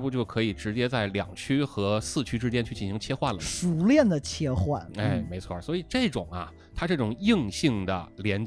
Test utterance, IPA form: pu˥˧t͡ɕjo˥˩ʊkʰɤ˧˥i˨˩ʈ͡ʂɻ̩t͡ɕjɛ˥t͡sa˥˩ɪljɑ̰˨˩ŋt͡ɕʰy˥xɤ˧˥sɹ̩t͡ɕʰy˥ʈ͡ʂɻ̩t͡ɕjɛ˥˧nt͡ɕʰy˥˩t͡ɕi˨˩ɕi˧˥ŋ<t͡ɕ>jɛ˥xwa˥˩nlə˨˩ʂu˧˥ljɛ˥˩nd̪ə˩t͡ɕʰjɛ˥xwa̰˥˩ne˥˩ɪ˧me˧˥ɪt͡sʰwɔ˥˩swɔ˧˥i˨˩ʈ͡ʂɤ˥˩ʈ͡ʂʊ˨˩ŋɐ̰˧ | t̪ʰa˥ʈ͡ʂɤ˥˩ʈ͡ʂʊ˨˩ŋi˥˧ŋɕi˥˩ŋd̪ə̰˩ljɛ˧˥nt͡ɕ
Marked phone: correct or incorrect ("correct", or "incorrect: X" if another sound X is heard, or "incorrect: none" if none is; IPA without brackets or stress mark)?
incorrect: t͡ɕʰ